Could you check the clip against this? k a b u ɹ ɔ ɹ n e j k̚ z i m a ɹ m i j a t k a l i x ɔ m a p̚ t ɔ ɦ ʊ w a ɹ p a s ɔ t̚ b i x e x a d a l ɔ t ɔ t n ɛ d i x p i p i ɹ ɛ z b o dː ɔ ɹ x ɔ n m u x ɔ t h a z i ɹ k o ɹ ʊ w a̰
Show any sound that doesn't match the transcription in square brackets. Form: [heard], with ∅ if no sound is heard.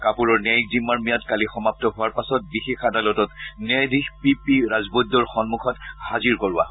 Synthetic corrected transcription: k a [p] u ɹ ɔ ɹ n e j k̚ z i m a ɹ m i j a t k a l i x ɔ m a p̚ t ɔ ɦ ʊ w a ɹ p a s ɔ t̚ b i x e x a d a l ɔ t ɔ t n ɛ d i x p i p i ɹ [a] z b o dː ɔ ɹ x ɔ n m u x ɔ t h a z i ɹ k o ɹ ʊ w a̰